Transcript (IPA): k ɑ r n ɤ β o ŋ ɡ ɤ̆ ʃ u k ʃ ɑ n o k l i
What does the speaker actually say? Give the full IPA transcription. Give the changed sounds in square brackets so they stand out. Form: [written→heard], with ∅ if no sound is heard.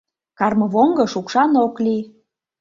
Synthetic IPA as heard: k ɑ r [n→m] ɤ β o ŋ ɡ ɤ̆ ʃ u k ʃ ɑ n o k l i